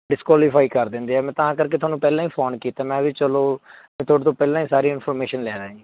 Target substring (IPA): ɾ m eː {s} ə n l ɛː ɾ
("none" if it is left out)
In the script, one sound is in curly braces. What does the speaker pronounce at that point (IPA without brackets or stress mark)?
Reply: ʃ